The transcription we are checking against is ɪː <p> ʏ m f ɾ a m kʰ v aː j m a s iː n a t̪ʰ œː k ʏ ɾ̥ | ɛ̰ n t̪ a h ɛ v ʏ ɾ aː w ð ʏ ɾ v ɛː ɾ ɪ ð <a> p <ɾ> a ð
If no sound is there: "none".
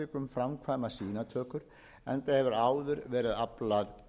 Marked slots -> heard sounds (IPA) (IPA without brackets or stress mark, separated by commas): k, a, l